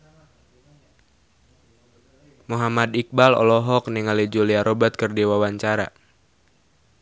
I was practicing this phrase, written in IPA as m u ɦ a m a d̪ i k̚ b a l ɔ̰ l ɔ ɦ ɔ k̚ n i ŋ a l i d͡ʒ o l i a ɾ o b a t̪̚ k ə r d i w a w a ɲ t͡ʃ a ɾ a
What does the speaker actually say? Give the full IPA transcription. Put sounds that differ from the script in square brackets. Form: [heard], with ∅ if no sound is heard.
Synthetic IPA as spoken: m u ɦ a m a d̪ i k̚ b a l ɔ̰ l ɔ ɦ ɔ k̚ n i ŋ a l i d͡ʒ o l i a ɾ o b a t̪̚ k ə r d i w a w a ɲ t͡ʃ a ɾ a